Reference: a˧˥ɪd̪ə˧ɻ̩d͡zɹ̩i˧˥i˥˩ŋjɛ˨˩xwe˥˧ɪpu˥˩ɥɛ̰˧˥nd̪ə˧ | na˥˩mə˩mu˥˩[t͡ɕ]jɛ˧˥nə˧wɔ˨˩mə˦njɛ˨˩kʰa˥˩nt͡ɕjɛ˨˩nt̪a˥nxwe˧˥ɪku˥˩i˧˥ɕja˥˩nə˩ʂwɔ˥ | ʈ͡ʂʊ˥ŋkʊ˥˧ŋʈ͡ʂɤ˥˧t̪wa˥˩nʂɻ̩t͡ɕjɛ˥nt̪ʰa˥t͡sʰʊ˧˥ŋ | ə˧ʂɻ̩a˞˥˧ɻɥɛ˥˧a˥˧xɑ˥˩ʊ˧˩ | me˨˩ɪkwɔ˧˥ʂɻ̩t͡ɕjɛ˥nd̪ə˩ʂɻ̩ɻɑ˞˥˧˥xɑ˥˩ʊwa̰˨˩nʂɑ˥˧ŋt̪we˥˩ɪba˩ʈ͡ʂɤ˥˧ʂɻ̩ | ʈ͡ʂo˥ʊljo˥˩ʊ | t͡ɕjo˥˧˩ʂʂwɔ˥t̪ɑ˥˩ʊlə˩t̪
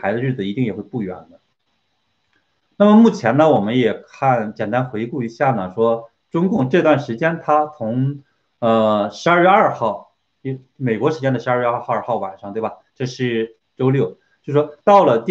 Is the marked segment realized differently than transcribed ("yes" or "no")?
yes